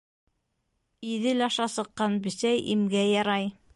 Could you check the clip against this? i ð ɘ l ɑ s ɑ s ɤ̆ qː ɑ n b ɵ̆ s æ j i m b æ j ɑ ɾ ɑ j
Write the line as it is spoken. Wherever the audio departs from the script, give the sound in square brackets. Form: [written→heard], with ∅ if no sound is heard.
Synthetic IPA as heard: i ð ɘ l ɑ [s→ʃ] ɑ s ɤ̆ qː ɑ n b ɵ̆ s æ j i m [b→ɡ] æ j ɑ ɾ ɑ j